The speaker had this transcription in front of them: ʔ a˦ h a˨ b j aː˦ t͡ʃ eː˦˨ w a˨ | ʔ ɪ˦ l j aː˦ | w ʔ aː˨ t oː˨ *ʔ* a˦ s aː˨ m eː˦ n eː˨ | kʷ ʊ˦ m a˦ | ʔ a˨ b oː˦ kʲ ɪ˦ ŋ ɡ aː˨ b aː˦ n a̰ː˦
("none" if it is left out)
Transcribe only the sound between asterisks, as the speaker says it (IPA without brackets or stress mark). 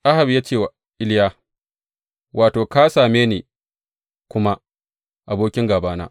k